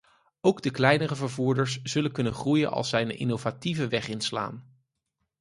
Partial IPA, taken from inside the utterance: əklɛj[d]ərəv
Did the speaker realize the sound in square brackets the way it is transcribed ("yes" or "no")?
no